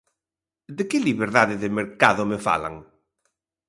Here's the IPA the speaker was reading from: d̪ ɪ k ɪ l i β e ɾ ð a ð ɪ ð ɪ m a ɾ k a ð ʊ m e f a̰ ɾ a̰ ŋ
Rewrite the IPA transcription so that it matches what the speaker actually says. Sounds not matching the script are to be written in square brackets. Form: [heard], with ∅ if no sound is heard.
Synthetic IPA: d̪ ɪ k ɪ l i β e ɾ ð a ð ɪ ð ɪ m [e] ɾ k a ð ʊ m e f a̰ [l] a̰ ŋ

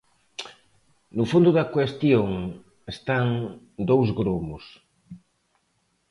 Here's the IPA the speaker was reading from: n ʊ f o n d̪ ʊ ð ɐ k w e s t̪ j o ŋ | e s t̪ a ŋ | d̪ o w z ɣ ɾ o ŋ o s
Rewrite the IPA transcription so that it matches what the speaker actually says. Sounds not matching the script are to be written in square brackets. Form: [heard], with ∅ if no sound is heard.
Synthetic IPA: n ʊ f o n d̪ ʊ ð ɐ k w e s t̪ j o ŋ | e s t̪ a ŋ | d̪ o w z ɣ ɾ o [m] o s

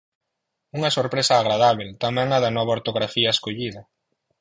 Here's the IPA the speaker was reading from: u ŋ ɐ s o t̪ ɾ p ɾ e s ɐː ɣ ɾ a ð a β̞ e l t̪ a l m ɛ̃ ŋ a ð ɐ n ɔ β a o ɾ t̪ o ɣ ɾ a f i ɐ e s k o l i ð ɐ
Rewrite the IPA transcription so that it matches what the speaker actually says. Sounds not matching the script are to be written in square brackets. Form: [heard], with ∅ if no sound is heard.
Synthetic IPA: u ŋ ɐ s o [∅] ɾ p ɾ e s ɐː ɣ ɾ a ð a β̞ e l t̪ a [∅] m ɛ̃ ŋ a ð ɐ n ɔ β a o ɾ t̪ o ɣ ɾ a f i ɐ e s k o [ʎ] i ð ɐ

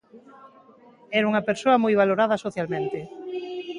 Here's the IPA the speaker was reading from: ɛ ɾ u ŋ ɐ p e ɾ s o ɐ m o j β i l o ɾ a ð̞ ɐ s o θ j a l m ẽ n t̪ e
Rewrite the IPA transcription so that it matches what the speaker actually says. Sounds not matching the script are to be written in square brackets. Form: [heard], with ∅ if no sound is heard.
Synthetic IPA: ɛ ɾ u ŋ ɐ p e ɾ s o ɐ m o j β [a] l o ɾ a ð̞ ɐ s o θ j a l m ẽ n t̪ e

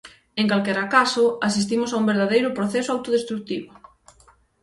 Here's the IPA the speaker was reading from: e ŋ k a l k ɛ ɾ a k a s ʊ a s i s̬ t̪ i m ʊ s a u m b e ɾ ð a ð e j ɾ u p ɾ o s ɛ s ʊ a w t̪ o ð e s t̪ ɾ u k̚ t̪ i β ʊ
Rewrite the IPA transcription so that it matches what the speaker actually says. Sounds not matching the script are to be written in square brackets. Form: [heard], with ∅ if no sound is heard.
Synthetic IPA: e ŋ k a l k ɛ ɾ a k a s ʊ a s i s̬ t̪ i m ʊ s a u m b e ɾ ð a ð e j ɾ [ʊ] p ɾ o [θ] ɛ s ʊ a w t̪ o ð e s t̪ ɾ u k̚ t̪ i β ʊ

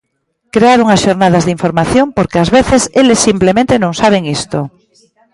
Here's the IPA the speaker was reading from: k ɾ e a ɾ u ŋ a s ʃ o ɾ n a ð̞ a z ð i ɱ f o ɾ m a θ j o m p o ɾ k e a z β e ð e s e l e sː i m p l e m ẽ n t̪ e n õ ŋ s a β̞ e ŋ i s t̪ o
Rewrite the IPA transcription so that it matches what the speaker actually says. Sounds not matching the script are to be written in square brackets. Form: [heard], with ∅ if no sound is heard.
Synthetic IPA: k ɾ e a ɾ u ŋ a s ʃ o ɾ n a ð̞ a z ð i ɱ f o ɾ m a θ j o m p o ɾ k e a z β e [θ] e s e l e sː i m p l e m ẽ n t̪ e n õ ŋ s a β̞ e ŋ i s t̪ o

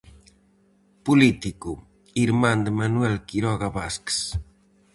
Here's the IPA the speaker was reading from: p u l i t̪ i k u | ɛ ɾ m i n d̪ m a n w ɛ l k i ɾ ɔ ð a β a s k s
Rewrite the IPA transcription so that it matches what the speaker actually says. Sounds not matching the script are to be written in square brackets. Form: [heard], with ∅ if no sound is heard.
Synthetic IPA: p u l i t̪ i k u | [i] ɾ m [a] n d̪ m a n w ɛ l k i ɾ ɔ [ɣ] a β a s k s

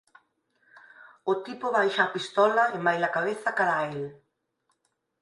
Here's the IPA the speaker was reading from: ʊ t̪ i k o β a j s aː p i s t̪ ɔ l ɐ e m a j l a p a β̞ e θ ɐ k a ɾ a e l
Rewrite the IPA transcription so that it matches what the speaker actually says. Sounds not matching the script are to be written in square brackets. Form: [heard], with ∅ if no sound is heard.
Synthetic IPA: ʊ t̪ i [p] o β a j [ʃ] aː p i s t̪ ɔ l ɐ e m a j l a [k] a β̞ e θ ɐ k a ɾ a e l

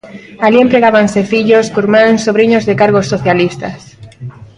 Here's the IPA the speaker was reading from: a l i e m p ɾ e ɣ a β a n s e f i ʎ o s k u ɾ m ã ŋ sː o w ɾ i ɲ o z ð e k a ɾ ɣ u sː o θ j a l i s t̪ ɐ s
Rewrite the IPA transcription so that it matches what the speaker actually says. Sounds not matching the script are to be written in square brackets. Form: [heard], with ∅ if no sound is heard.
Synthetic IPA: a l i e m p ɾ e ɣ a β a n s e f i ʎ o s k u ɾ m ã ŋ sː o [β] ɾ i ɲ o z ð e k a ɾ ɣ [o] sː o θ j a l i s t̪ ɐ s

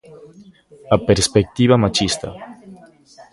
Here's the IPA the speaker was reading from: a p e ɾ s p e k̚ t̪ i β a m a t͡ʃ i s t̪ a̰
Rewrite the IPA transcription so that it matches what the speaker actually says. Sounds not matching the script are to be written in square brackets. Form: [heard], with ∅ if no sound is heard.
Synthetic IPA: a p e ɾ s p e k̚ t̪ i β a m a t͡ʃ i s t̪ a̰

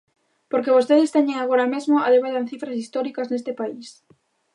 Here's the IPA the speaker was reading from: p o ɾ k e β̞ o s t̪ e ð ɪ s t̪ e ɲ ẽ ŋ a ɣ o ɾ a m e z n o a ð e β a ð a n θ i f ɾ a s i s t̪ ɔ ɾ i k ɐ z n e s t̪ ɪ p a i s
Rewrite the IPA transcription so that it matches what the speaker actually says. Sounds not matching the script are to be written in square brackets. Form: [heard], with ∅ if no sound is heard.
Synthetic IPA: p o ɾ k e β̞ o s t̪ e ð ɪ s t̪ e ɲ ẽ ŋ a ɣ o ɾ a m e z [m] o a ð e β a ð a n θ i f ɾ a s i s t̪ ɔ ɾ i k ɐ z n e s t̪ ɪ p a i s

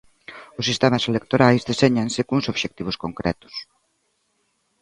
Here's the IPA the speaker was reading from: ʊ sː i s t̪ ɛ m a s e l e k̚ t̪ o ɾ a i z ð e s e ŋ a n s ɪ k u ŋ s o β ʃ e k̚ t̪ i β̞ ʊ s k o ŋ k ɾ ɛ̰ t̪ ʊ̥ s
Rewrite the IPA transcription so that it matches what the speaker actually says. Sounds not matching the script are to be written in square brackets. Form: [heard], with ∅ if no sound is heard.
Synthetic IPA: ʊ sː i s t̪ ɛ m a s e l e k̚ t̪ o ɾ a [j] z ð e s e [ɲ] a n s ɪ k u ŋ s o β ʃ e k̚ t̪ i β̞ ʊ s k o ŋ k ɾ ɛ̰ t̪ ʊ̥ s

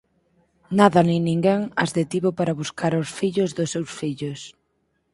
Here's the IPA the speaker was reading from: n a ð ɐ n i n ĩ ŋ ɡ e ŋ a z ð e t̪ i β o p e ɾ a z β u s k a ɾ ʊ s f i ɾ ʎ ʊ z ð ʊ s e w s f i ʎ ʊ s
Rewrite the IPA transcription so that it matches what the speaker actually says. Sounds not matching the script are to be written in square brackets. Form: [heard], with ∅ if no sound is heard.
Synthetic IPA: n a ð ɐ n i n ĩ ŋ ɡ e ŋ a z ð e t̪ i β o p [a] ɾ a [∅] β u s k a ɾ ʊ s f i [∅] ʎ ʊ z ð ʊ s e w s f i ʎ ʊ s

